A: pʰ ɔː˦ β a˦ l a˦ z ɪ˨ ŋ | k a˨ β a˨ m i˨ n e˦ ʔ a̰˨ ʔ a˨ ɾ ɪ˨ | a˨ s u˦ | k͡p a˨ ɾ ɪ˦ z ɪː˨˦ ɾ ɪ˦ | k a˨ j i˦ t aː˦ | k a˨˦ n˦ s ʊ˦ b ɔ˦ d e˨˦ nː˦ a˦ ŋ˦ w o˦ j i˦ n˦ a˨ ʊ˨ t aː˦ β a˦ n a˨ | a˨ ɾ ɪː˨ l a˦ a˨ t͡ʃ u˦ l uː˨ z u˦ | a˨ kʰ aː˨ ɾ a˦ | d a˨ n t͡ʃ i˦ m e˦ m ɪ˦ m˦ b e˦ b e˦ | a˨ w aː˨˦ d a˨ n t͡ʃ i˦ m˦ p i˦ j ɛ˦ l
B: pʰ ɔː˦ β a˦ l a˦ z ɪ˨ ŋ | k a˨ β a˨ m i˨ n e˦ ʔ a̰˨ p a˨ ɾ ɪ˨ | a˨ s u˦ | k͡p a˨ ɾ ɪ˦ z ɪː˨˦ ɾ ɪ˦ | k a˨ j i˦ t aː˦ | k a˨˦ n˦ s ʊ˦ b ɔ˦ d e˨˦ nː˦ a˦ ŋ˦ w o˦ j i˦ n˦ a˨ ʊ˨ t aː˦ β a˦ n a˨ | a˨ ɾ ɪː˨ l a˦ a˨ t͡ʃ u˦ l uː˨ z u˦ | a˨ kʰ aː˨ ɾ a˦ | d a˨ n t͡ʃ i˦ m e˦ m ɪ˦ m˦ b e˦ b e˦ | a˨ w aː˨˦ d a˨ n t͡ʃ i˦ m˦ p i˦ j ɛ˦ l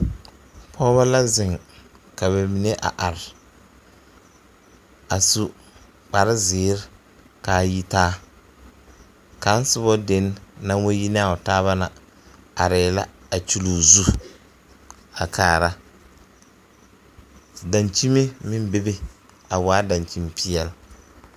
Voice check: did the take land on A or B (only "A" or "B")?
A